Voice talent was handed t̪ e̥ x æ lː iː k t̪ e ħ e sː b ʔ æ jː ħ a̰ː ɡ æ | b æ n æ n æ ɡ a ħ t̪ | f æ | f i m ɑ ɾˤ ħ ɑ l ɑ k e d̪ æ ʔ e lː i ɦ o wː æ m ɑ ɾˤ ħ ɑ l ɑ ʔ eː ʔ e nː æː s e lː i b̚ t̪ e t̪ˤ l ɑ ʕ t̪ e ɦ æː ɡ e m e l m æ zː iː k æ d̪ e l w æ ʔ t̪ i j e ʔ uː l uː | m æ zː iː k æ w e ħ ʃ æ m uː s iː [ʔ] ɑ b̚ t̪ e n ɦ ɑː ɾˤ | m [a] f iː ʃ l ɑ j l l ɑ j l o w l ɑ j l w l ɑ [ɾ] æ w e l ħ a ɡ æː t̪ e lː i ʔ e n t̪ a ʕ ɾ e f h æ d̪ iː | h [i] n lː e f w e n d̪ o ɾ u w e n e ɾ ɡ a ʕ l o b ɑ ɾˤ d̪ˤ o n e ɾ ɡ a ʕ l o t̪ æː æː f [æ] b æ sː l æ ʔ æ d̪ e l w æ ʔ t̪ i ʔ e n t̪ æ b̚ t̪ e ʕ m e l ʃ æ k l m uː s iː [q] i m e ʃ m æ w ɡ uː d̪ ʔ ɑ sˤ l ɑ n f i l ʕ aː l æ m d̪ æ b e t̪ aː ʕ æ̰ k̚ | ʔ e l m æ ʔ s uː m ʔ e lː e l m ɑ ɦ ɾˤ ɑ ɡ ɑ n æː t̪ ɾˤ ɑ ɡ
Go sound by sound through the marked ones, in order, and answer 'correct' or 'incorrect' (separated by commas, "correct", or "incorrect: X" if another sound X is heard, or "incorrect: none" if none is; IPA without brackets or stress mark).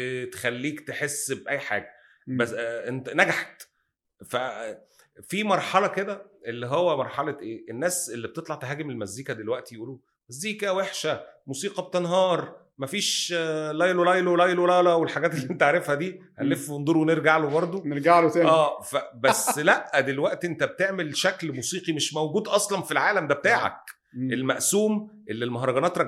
incorrect: q, incorrect: æ, incorrect: l, incorrect: æ, correct, correct